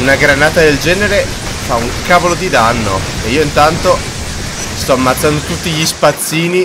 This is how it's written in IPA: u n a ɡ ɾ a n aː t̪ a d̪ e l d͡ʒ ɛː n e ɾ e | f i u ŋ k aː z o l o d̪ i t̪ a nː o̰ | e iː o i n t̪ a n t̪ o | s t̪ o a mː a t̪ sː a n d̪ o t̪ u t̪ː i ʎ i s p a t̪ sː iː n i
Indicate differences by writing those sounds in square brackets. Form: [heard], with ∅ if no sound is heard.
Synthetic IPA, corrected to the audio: u n a ɡ ɾ a n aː t̪ a d̪ e l d͡ʒ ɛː n e ɾ e | f [a] u ŋ k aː [v] o l o d̪ i [d̪] a nː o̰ | e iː o i n t̪ a n t̪ o | s t̪ [ɔ] a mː a t̪ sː a n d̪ o t̪ u t̪ː i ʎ i s p a t̪ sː iː n i